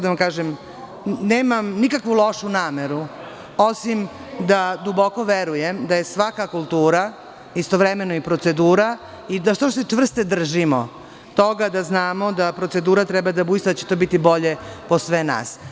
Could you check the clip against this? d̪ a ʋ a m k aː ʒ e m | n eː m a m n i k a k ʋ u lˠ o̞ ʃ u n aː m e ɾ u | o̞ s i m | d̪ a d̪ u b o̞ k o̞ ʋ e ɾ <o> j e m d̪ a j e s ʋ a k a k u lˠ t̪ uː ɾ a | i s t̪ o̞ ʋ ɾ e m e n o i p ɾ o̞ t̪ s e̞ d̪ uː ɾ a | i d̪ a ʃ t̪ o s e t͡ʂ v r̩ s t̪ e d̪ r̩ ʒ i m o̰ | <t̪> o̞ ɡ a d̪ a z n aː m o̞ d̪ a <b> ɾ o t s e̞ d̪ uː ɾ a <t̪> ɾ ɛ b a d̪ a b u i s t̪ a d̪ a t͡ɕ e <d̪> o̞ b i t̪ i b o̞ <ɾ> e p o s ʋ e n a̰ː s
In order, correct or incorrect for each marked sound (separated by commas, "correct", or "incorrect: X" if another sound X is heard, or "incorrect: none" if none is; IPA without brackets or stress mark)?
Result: incorrect: u, correct, incorrect: p, correct, incorrect: t̪, incorrect: ʎ